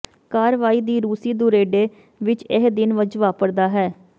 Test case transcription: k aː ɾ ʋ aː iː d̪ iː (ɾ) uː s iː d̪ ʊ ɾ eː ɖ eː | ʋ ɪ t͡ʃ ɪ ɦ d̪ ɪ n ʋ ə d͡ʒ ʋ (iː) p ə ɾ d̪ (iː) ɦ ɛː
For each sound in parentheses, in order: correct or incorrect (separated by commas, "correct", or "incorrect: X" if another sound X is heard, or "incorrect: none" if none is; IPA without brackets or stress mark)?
correct, incorrect: aː, incorrect: aː